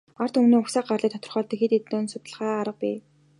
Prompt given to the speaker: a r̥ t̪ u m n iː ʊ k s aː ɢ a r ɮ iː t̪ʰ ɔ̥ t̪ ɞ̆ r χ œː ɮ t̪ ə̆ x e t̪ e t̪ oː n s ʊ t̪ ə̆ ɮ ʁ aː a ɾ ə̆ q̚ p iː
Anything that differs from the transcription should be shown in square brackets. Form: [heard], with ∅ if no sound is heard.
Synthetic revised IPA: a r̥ t̪ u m n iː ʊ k s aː ɢ a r ɮ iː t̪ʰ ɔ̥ t̪ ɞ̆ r χ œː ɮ t̪ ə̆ x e t̪ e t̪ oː n s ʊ t̪ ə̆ ɮ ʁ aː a ɾ ə̆ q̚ p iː